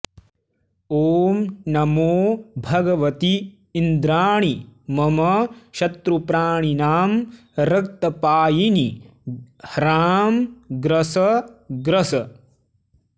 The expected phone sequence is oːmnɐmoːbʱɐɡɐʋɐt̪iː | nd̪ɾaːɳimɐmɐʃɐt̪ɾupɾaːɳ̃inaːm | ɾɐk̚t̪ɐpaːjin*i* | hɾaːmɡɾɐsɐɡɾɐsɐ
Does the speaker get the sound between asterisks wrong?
no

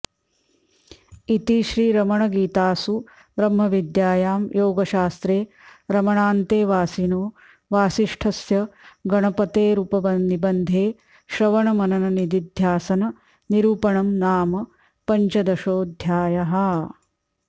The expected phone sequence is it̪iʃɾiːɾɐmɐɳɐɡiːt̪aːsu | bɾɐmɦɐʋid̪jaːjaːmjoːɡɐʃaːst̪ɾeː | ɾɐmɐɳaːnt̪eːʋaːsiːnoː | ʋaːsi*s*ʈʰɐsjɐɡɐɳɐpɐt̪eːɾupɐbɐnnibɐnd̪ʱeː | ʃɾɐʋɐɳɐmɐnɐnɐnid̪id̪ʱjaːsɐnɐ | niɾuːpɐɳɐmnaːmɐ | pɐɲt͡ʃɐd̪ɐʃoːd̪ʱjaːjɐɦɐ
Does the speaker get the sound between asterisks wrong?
yes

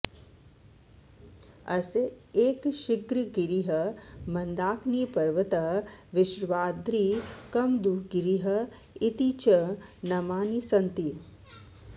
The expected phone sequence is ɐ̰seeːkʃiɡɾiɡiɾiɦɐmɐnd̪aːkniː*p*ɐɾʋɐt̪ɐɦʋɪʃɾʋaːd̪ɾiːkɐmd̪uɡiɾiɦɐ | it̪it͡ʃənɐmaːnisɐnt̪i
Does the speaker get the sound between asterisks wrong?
no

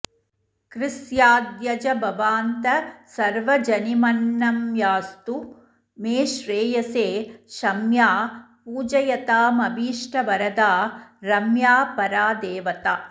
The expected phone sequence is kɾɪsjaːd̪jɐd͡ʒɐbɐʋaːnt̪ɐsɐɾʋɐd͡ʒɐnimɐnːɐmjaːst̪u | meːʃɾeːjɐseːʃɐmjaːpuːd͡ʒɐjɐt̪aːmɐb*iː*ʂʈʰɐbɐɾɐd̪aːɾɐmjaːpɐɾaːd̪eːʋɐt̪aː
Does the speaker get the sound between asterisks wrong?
no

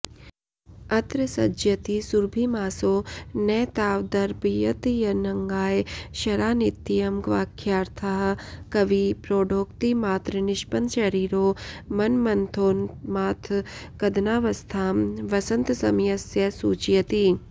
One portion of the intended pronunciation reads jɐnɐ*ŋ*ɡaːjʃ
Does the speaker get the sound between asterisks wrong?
no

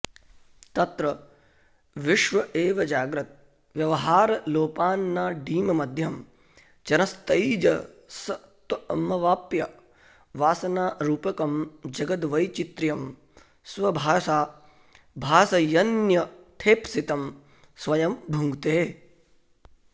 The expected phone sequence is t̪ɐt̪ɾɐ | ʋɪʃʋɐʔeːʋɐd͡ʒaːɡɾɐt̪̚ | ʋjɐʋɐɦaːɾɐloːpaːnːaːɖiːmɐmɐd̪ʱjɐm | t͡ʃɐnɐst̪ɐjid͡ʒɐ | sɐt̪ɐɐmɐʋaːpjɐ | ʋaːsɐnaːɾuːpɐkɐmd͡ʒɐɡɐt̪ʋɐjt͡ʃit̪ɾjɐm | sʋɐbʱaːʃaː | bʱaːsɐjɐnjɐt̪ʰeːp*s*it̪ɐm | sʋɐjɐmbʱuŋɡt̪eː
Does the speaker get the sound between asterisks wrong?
no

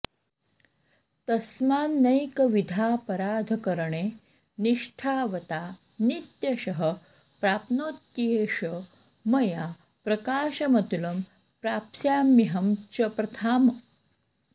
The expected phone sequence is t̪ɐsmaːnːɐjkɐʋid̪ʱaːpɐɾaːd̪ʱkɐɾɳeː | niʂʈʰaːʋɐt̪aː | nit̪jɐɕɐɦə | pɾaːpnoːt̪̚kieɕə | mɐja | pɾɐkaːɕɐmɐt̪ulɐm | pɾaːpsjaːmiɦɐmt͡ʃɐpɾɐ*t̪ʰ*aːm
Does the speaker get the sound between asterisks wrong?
no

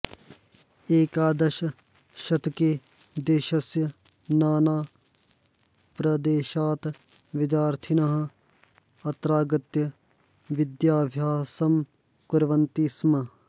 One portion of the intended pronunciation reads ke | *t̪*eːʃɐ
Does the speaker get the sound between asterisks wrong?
yes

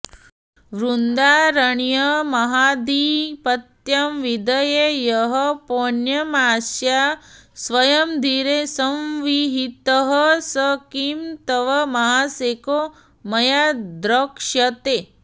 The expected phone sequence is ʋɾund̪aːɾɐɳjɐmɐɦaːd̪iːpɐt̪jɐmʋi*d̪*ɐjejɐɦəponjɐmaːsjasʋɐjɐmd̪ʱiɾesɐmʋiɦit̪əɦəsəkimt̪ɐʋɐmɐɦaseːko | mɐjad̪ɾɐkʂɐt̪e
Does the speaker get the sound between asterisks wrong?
no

